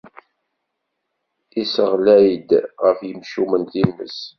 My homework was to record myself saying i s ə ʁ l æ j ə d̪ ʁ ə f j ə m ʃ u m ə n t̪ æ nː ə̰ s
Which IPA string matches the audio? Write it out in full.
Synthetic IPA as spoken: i s ə ʁ l æ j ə d̪ ʁ ə f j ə m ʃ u m ə n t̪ i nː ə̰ s